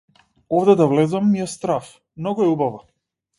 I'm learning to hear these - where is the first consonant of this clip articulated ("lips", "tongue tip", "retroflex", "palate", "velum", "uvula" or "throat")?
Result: lips